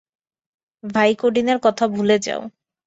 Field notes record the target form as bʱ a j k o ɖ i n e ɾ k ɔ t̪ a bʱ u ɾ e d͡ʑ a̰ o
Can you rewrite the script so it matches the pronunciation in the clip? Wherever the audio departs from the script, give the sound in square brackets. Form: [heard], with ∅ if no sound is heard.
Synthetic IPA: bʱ a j k o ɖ i n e ɾ k ɔ [t̪ʰ] a bʱ u [l] e d͡ʑ a̰ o